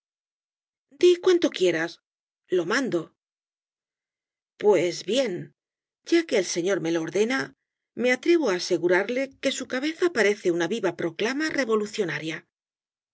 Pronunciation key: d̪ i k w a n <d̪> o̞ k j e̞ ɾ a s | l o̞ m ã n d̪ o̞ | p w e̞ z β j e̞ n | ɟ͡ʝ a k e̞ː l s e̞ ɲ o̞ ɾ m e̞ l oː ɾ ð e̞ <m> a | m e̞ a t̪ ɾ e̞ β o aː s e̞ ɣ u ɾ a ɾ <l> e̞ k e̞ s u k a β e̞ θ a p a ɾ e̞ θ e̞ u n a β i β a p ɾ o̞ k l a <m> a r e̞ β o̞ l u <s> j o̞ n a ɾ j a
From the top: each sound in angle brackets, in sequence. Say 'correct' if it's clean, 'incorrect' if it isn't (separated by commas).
incorrect, incorrect, correct, correct, incorrect